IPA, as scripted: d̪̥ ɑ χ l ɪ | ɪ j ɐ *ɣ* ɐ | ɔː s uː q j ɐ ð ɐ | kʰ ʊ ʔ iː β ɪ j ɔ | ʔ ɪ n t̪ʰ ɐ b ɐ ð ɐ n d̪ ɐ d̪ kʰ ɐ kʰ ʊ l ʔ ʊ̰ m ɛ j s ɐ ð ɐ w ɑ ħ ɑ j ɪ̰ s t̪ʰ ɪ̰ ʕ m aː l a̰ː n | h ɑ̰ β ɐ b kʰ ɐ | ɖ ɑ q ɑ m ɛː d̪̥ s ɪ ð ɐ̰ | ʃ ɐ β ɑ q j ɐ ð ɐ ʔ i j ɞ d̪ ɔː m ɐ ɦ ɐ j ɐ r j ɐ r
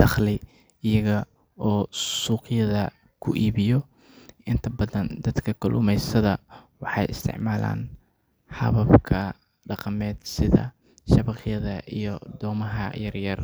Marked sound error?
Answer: no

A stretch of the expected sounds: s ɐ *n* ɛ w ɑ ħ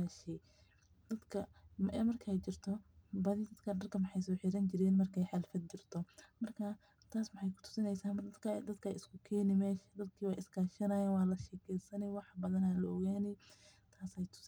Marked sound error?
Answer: no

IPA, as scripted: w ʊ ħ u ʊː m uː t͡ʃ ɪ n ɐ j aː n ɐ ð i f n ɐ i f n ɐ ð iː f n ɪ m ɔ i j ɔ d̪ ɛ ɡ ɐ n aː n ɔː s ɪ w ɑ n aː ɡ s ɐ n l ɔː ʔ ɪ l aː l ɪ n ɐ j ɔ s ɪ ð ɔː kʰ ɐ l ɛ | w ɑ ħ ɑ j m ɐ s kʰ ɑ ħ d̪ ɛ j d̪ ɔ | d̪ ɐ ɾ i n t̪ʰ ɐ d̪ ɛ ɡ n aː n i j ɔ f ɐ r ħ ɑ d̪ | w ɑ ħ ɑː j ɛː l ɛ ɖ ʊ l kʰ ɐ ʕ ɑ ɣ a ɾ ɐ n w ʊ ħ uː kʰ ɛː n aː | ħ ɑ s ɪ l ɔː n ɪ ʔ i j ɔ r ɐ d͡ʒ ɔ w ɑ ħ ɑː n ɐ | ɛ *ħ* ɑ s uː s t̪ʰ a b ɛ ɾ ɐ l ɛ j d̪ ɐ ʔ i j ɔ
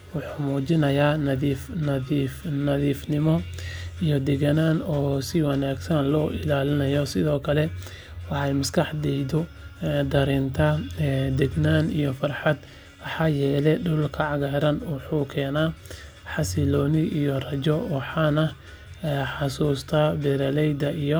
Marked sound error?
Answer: no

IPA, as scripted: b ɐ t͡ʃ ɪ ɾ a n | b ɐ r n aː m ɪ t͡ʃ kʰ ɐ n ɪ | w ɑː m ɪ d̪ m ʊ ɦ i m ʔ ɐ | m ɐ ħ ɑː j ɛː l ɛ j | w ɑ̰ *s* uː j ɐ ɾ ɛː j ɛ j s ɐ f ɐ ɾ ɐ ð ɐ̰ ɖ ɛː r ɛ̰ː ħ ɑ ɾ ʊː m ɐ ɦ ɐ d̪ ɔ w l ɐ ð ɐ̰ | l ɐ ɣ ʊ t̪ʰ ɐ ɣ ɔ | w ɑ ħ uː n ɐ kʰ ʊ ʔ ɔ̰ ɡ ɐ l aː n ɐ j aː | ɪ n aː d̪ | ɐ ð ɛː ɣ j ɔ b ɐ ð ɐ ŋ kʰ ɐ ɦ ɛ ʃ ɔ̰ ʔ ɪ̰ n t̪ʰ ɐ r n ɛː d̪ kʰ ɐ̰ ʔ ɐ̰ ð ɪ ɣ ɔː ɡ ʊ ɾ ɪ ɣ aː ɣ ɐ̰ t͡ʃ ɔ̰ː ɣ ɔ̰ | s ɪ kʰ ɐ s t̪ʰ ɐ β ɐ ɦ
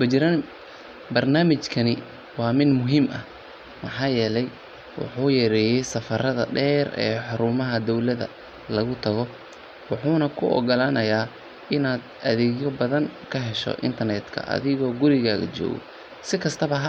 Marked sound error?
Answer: yes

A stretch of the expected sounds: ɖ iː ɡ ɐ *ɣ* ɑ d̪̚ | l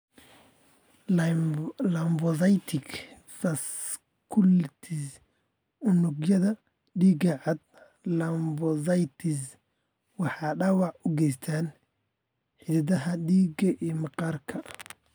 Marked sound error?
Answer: yes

